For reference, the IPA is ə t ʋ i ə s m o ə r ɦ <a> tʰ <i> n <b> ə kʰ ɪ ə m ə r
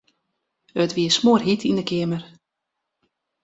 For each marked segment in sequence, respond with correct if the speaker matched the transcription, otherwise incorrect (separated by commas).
incorrect, correct, incorrect